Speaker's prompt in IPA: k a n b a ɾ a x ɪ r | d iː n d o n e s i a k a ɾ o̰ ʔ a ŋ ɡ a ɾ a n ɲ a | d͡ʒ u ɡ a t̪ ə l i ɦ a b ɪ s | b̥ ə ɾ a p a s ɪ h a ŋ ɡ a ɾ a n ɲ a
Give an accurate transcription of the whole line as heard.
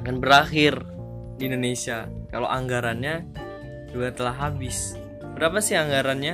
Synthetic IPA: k a n b ə ɾ a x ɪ r | d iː n d o n e s i a k a l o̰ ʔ a ŋ ɡ a ɾ a n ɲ a | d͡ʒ u ɡ a t̪ ə l a ɦ a b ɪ s | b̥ ə ɾ a p a s ɪ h a ŋ ɡ a ɾ a n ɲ a